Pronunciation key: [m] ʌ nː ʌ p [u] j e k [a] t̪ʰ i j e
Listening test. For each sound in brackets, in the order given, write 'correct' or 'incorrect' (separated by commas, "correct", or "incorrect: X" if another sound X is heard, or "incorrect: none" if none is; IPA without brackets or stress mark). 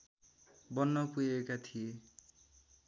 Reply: incorrect: b, correct, correct